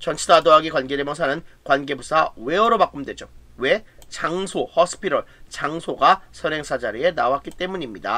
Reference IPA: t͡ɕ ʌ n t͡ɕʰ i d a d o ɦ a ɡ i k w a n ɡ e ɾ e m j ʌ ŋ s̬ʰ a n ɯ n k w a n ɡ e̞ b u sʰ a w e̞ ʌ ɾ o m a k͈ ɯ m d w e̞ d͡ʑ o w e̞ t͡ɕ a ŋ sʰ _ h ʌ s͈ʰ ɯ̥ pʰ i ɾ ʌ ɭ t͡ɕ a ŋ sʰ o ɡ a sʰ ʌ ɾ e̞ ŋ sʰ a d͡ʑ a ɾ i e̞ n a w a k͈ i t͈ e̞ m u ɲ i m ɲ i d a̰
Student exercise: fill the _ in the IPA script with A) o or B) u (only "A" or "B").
A